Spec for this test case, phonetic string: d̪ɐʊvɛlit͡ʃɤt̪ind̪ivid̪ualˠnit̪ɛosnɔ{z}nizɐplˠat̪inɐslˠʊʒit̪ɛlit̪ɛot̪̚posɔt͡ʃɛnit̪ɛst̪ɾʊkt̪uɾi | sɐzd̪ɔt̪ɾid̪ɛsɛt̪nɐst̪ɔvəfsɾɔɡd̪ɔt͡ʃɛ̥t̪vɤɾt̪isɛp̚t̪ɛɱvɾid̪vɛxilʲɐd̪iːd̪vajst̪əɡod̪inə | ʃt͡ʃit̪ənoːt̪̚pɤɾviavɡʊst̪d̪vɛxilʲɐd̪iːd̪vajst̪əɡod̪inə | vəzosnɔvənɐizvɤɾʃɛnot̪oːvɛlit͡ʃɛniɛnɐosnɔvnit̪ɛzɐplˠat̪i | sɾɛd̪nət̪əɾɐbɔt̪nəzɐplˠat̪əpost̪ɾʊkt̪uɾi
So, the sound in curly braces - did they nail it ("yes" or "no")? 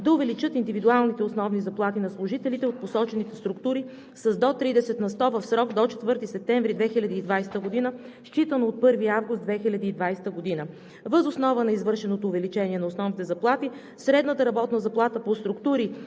no